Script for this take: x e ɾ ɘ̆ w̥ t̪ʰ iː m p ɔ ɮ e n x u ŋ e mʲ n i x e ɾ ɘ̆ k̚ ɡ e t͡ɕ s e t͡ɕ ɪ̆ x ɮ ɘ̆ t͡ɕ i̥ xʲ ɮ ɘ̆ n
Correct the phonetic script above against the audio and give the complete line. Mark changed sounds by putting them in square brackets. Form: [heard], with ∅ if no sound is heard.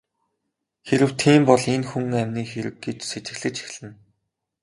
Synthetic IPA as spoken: x e ɾ ɘ̆ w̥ t̪ʰ iː m p ɔ ɮ e n x u ŋ [æ] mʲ n [iː] x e ɾ ɘ̆ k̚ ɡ e t͡ɕ s e t͡ɕ ɪ̆ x ɮ ɘ̆ t͡ɕ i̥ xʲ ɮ ɘ̆ n